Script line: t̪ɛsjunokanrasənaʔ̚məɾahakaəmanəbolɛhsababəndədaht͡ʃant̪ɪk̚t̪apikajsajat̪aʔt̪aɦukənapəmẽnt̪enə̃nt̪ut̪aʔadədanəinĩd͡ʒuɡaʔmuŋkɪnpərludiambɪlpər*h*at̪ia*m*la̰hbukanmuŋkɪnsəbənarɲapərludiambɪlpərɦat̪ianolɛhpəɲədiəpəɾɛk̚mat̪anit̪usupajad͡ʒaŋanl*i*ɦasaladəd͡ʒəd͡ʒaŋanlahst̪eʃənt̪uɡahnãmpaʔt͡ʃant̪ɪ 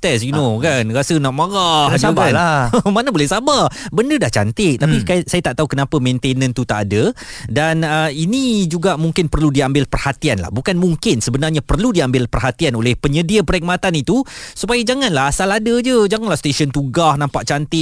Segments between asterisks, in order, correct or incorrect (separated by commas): correct, incorrect, incorrect